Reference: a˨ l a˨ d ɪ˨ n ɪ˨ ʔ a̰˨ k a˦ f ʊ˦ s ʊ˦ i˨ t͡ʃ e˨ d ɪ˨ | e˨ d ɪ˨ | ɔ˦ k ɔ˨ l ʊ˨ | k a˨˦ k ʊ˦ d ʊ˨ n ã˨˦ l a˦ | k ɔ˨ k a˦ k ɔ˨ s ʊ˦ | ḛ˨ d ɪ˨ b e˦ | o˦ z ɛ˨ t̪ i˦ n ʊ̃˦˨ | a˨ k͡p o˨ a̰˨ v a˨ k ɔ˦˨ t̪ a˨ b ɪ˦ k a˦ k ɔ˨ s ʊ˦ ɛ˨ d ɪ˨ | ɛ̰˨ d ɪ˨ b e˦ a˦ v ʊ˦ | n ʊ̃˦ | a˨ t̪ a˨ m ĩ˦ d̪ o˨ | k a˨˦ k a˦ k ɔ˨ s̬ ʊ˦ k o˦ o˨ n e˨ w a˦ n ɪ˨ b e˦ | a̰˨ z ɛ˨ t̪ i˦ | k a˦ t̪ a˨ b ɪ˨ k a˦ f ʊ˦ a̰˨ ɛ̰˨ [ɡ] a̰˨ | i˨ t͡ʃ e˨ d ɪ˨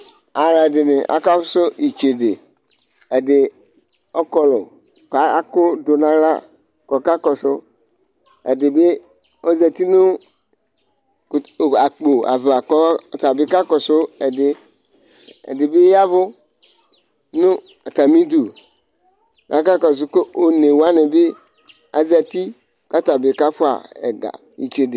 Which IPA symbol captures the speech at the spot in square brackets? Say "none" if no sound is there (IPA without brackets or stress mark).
ɡ